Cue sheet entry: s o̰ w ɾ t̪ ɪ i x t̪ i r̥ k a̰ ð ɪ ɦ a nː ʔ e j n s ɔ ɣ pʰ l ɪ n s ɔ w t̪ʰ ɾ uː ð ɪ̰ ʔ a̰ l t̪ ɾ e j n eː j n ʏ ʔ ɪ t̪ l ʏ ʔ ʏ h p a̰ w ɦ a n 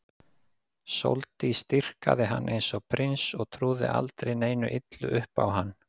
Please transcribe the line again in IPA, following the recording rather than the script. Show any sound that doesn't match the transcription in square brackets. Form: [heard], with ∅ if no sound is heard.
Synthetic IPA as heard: s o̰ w [l] t̪ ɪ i [s] t̪ i r̥ k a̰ ð ɪ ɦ a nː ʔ e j n s ɔ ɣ pʰ [ɾ] ɪ n s ɔ [ɣ] t̪ʰ ɾ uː ð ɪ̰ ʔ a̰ l t̪ ɾ e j n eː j n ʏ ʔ ɪ t̪ l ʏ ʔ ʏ h p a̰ w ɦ a [nː]